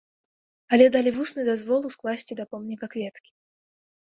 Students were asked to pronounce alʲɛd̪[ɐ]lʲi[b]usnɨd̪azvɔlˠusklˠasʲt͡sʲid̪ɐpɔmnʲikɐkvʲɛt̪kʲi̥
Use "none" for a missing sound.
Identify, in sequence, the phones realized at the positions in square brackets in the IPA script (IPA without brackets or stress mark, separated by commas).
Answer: a, v